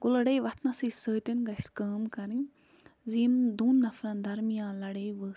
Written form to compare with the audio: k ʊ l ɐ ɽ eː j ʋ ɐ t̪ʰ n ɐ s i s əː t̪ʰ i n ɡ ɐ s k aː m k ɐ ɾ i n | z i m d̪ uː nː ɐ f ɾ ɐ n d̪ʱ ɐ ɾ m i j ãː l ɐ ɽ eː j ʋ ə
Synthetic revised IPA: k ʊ l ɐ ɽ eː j ʋ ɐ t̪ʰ n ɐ s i s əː t̪ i n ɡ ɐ s k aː m k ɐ ɾ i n | z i m d̪ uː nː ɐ f ɾ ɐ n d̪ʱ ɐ ɾ m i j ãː l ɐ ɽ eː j ʋ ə